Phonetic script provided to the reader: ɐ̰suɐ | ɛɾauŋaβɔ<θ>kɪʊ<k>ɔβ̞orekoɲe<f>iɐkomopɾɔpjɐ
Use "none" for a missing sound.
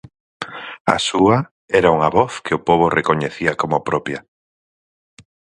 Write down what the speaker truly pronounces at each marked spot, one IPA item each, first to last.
θ, p, θ

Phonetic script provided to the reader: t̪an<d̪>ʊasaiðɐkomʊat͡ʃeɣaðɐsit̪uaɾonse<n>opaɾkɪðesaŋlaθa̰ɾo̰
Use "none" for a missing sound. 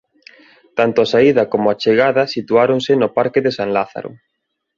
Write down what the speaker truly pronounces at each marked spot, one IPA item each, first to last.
t̪, n

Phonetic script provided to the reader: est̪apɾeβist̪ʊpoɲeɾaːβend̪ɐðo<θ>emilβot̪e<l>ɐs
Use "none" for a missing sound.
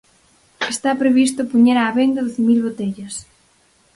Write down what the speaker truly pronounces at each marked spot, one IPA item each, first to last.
θ, ʎ

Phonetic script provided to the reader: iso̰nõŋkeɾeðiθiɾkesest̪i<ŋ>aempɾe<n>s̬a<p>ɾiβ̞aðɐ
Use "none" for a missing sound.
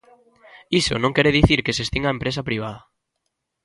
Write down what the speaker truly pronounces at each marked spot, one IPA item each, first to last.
ŋ, none, p

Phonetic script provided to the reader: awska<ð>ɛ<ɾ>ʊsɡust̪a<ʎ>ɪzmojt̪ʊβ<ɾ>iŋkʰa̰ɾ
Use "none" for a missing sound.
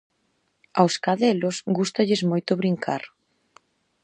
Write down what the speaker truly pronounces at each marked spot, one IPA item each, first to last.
ð, l, ʎ, ɾ

